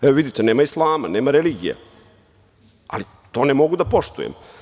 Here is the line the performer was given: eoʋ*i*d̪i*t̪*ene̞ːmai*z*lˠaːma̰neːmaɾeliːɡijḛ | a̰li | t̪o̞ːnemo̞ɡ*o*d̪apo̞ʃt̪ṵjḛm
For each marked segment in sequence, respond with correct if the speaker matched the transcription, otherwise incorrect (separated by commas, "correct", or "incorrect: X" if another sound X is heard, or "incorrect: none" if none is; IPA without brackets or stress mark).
correct, correct, incorrect: s, incorrect: u